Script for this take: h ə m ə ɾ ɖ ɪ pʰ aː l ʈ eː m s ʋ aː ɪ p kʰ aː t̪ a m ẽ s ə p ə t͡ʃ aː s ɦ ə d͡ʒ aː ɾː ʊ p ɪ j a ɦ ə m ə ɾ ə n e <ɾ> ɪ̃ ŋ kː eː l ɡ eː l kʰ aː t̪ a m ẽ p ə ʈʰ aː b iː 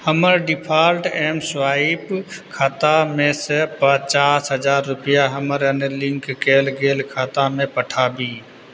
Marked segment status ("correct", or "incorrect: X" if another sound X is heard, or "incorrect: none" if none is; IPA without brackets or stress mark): incorrect: l